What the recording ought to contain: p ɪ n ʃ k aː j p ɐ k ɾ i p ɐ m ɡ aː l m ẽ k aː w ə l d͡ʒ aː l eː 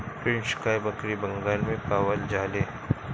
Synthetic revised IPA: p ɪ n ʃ k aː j b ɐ k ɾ i b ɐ ŋ ɡ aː l m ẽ p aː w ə l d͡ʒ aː l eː